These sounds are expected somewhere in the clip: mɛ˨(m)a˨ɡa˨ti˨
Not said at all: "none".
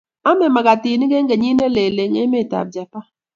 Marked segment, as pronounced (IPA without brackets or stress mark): m